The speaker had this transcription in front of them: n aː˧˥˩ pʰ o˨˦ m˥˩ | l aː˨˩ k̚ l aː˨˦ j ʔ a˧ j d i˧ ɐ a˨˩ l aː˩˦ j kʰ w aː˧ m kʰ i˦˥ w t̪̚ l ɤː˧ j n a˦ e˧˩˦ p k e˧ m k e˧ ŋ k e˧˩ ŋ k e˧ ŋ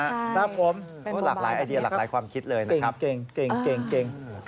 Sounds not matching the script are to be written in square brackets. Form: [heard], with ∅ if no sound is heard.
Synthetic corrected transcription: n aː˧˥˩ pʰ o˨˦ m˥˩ | l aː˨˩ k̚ l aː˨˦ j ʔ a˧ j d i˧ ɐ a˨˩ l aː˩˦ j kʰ w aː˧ m kʰ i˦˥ [∅] t̪̚ l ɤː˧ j n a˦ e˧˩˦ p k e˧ [ŋ] k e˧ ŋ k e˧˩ ŋ k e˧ ŋ